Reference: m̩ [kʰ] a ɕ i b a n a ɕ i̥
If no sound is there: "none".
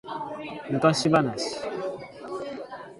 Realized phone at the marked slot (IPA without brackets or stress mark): k